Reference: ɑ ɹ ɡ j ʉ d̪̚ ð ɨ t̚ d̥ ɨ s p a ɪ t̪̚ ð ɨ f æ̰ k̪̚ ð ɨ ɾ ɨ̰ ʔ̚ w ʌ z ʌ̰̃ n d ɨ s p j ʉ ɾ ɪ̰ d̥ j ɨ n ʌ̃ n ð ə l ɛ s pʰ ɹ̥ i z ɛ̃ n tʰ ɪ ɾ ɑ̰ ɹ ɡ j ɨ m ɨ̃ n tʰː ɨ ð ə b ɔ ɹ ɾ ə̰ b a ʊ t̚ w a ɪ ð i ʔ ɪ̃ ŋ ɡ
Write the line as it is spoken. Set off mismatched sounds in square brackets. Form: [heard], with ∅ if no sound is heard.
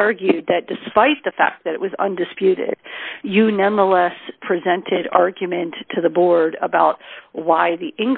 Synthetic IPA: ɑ ɹ ɡ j ʉ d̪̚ ð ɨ t̚ d̥ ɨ s p a ɪ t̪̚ ð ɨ f æ̰ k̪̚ ð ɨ ɾ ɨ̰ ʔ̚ w ʌ z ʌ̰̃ n d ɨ s p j ʉ ɾ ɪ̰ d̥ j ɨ n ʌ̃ n ð ə l ɛ s pʰ ɹ̥ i z ɛ̃ n tʰ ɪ ɾ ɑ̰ ɹ ɡ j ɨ m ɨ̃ n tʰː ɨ ð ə b ɔ ɹ ɾ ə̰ b a ʊ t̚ w a ɪ ð i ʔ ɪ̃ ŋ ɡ